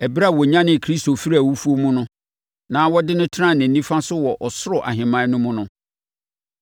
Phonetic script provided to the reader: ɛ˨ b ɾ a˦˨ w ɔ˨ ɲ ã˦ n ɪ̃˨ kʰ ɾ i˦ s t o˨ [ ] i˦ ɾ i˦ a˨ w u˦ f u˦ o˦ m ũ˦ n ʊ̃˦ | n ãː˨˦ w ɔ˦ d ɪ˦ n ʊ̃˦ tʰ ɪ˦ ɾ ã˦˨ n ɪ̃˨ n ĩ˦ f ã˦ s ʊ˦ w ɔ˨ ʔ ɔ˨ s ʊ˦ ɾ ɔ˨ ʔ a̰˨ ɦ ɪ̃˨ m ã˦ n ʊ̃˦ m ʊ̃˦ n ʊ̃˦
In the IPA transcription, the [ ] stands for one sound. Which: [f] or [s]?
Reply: f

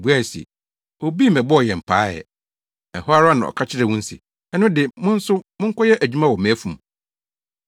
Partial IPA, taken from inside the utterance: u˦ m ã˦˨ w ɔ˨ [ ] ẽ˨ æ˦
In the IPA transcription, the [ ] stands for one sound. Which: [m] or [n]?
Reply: m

